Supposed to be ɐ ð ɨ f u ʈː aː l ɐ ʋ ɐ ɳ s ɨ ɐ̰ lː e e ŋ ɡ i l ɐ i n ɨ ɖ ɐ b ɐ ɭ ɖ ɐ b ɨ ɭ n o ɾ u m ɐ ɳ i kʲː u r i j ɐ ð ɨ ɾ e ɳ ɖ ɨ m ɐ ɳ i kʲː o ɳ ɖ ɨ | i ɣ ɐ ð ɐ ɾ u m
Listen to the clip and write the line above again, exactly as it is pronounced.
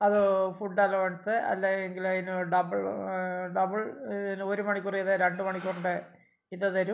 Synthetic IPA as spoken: ɐ ð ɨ f u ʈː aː l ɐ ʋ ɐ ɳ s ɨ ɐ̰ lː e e ŋ ɡ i l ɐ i n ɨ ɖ ɐ b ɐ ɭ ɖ ɐ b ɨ ɭ n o ɾ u m ɐ ɳ i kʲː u r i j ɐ ð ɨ ɾ e ɳ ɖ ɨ m ɐ ɳ i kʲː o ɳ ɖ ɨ | i ð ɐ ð ɐ ɾ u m

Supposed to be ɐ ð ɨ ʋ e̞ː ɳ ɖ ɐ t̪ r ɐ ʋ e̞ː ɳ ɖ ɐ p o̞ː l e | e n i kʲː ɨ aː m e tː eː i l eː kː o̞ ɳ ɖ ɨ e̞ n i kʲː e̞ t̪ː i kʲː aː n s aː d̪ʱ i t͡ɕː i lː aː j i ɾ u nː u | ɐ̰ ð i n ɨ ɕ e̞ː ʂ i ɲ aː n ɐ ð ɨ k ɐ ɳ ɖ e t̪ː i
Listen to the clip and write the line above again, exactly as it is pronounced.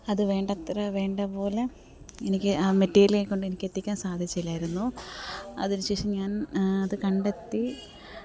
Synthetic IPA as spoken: ɐ ð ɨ ʋ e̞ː ɳ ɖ ɐ t̪ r ɐ ʋ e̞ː ɳ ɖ ɐ p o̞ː l e | e n i kʲː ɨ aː m e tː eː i l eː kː o̞ ɳ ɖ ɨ e̞ n i kʲː e̞ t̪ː i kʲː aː n s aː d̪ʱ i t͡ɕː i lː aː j i ɾ u nː u | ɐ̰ ð i n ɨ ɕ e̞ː ʂ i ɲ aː n ɐ ð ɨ k ɐ ɳ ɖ e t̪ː i

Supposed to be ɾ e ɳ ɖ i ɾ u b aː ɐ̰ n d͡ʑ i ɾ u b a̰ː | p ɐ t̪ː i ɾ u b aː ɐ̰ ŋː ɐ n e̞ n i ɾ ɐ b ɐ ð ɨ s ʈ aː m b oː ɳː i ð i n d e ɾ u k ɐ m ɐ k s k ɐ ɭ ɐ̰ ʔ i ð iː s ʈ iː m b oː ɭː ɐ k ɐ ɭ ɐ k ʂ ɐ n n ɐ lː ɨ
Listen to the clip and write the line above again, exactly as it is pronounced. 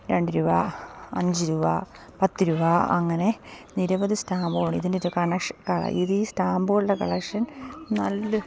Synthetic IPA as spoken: ɾ e ɳ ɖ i ɾ u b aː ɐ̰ ɲ d͡ʑ i ɾ u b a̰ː | p ɐ t̪ː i ɾ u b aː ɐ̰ ŋː ɐ n e̞ n i ɾ ɐ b ɐ ð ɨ s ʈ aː m b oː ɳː i ð i n d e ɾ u k ɐ ɳ ɐ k ʂ k ɐ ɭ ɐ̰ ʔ i ð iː s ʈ aː m b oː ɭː ɐ k ɐ ɭ ɐ k ʂ ɐ n n ɐ lː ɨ

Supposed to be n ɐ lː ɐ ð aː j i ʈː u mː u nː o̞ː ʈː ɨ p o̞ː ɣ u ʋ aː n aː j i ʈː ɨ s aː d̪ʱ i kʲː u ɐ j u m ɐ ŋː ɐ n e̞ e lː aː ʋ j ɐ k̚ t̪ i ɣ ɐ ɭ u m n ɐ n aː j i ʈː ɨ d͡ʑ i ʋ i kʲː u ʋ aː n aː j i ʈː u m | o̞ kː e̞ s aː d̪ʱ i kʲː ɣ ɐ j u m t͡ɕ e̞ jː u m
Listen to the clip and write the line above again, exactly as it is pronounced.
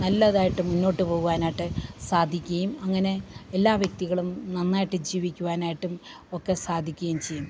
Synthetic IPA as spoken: n ɐ lː ɐ ð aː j i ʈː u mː u nː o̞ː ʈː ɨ p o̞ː ɣ u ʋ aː n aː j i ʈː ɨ s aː d̪ʱ i kʲː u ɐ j u m ɐ ŋː ɐ n e̞ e lː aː ʋ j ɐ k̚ t̪ i ɣ ɐ ɭ u m n ɐ nː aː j i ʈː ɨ d͡ʑ iː ʋ i kʲː u ʋ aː n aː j i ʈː u m | o̞ kː e̞ s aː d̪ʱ i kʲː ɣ ɐ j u m t͡ɕ e̞ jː u m

